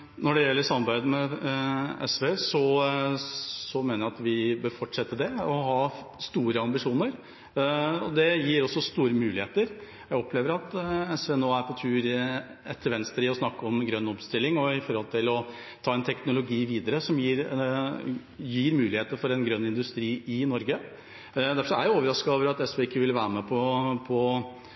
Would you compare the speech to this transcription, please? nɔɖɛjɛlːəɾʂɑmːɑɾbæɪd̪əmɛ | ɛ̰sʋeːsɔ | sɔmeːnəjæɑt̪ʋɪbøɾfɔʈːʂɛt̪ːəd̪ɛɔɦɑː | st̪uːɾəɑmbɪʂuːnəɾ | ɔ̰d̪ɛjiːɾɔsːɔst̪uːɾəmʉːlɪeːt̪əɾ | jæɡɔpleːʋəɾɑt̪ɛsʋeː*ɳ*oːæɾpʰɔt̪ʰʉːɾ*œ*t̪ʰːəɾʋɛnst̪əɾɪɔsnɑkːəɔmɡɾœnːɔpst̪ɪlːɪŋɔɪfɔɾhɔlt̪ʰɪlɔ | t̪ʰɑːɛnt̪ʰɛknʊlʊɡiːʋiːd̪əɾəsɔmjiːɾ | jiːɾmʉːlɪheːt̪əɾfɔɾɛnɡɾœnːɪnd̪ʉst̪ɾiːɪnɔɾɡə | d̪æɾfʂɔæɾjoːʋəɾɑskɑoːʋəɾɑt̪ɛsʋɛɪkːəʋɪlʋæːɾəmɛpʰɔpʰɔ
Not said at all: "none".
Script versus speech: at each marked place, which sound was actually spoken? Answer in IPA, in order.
n, ɛ

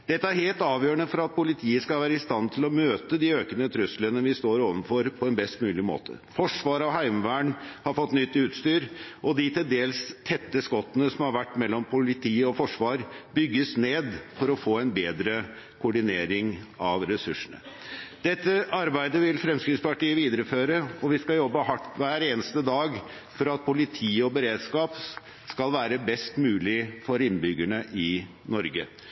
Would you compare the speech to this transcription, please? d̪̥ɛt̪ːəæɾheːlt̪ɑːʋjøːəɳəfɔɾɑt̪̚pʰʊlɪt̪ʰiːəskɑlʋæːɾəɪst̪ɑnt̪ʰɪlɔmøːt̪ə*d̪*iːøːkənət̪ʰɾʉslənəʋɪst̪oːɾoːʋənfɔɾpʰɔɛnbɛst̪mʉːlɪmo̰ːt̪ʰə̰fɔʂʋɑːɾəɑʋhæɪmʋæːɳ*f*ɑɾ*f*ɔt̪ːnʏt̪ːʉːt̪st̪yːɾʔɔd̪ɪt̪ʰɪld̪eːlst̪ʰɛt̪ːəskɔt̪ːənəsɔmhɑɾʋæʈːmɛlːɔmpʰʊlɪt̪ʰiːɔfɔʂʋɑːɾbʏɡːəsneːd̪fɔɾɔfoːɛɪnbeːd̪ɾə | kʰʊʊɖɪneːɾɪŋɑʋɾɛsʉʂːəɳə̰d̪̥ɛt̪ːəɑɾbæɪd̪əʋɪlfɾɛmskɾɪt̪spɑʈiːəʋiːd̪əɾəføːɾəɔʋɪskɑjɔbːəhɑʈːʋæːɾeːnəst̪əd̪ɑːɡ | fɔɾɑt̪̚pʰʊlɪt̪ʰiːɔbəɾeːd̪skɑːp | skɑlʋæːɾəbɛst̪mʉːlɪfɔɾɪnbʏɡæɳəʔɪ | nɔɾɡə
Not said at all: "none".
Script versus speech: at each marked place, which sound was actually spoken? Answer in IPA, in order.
d̪, h, f

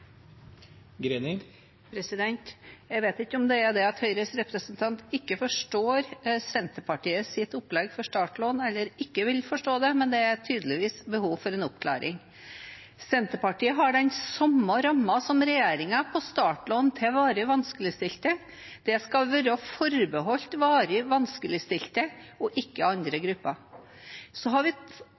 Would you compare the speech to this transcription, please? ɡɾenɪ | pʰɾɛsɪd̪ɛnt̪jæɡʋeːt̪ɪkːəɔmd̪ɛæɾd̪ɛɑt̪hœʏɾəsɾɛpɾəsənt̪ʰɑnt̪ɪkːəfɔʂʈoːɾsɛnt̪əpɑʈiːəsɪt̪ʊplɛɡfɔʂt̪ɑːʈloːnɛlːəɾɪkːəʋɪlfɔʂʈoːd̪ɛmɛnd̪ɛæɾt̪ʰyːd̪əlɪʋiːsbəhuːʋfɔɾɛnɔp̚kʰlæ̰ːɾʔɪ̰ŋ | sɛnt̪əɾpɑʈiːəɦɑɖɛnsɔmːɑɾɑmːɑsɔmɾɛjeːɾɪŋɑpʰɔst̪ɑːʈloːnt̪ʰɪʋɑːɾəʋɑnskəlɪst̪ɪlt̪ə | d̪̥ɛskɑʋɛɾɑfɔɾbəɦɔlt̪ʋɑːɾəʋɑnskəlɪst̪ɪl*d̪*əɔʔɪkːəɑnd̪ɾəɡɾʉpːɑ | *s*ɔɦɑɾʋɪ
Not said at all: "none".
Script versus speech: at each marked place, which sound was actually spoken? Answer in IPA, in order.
t̪, s

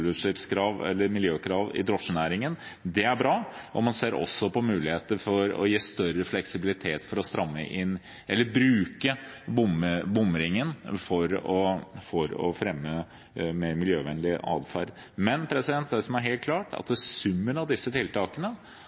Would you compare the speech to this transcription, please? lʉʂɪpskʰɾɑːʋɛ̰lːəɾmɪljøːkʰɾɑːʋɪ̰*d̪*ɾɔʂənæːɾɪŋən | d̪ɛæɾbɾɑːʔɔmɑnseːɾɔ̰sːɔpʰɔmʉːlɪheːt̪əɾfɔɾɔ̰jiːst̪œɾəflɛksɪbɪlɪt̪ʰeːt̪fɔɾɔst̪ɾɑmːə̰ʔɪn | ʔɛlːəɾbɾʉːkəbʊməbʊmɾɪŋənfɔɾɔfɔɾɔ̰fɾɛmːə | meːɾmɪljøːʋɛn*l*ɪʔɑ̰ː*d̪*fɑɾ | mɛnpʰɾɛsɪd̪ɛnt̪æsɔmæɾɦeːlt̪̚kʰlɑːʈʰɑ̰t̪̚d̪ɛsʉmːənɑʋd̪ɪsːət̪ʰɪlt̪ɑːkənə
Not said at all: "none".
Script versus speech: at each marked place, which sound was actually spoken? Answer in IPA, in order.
d̪, l, d̪

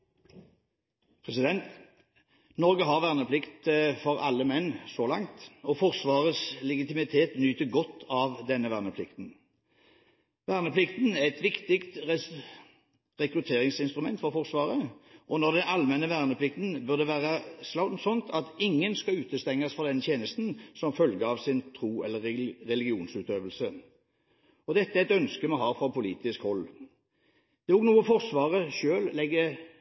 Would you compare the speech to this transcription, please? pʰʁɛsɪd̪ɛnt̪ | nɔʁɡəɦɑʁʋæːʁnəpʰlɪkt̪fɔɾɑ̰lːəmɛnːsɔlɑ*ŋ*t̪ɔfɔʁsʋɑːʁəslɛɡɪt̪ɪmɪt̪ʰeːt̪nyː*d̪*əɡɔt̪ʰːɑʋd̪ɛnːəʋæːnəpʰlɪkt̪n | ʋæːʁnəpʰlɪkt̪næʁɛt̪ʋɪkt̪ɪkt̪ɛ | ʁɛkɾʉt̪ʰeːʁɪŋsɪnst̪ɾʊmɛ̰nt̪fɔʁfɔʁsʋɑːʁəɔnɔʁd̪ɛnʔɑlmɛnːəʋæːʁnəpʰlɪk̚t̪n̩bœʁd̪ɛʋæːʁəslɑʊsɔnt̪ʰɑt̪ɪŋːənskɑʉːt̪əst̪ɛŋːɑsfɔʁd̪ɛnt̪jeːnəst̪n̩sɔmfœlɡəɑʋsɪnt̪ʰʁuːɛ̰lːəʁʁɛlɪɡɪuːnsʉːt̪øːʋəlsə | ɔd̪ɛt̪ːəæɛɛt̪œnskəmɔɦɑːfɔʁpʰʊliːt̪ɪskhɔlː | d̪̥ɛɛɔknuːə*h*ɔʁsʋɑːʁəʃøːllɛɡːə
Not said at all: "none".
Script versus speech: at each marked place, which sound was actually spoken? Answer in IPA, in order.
ŋ, t̪, f

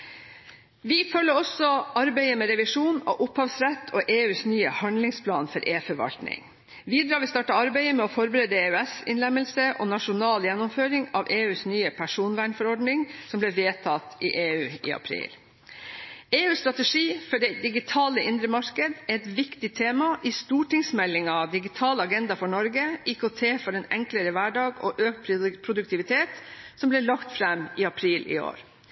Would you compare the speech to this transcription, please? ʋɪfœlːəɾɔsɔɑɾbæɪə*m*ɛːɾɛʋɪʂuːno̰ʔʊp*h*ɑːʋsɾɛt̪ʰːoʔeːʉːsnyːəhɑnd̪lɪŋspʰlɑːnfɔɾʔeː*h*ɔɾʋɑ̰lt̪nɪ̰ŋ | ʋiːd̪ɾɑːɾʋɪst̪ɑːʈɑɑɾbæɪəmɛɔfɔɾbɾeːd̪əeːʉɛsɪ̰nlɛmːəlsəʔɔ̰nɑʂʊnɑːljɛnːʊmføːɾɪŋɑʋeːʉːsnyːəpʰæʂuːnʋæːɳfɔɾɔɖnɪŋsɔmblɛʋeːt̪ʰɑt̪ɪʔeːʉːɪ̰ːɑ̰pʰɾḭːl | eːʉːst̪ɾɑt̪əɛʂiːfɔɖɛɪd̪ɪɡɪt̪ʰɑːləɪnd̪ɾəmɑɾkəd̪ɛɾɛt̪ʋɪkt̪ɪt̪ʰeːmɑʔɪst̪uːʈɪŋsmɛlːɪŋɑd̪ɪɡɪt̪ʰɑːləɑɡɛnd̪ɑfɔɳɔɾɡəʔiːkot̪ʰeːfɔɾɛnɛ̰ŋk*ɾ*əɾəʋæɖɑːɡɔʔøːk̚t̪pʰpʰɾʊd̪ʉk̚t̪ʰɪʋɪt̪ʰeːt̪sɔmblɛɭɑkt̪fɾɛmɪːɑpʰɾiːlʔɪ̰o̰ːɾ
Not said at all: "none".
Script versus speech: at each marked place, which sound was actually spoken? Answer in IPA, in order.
m, h, f, l

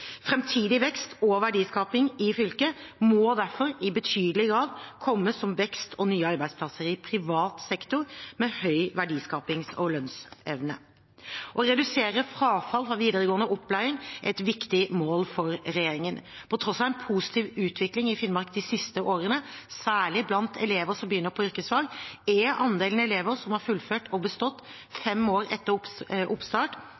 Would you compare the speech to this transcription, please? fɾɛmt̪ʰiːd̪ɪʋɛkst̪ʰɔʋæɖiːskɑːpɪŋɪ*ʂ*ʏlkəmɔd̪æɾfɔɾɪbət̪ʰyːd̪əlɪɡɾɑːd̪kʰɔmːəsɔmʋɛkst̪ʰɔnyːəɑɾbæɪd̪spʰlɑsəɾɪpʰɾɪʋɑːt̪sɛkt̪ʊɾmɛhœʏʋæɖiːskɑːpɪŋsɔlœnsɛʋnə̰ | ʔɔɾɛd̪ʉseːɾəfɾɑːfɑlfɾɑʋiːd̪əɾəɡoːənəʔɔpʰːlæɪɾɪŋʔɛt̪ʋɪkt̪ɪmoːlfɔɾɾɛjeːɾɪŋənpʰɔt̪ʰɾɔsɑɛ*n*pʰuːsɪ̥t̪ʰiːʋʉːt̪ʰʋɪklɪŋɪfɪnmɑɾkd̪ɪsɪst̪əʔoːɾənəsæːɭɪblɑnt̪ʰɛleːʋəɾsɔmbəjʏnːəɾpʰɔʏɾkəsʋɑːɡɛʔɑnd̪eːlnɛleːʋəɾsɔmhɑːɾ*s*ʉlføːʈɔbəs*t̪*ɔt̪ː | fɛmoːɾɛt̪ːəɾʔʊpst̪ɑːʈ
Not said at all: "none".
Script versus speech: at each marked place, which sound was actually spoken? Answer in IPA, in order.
f, n, f, t̪

